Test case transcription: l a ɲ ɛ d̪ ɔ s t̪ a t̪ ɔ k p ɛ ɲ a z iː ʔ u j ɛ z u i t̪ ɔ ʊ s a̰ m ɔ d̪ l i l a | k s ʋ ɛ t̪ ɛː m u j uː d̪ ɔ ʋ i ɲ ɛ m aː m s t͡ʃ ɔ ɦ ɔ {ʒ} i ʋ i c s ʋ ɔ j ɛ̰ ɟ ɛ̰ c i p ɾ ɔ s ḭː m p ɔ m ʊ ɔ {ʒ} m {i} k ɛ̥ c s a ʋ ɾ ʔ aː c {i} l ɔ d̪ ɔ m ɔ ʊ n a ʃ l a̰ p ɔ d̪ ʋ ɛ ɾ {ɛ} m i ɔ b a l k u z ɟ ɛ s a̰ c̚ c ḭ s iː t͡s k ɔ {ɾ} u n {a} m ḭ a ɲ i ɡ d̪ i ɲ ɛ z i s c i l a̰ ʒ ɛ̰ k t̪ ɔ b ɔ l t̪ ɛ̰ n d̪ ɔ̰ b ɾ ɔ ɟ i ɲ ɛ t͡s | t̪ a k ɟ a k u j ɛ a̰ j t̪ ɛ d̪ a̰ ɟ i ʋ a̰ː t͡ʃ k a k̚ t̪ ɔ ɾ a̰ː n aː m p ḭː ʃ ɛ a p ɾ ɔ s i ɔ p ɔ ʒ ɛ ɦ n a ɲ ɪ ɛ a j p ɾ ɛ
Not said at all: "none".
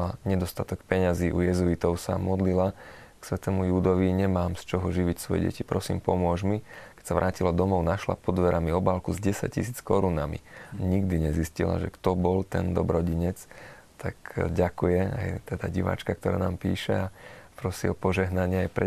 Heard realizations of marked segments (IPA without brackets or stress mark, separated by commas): ʒ, ʒ, i, i, a, ɾ, a